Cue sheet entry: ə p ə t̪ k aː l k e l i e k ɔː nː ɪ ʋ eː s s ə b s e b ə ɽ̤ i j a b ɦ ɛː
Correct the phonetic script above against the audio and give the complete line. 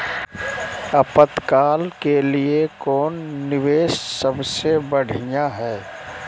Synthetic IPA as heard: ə p ə t̪ k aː l k e l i e k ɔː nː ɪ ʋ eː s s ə b s e b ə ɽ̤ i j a ɦ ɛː